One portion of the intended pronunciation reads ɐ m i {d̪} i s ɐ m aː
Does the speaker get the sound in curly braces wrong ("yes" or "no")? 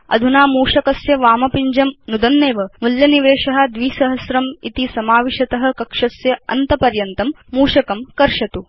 yes